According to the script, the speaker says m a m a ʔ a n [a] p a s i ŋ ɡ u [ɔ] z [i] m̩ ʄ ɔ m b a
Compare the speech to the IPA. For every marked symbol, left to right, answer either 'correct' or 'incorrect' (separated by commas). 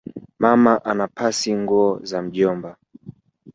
correct, correct, incorrect